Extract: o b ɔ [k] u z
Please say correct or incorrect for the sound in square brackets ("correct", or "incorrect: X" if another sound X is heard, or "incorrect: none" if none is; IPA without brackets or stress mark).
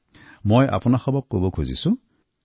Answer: incorrect: kʰ